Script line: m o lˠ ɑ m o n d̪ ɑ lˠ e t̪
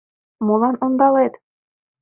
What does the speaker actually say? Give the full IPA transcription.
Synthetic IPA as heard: m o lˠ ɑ n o n d̪ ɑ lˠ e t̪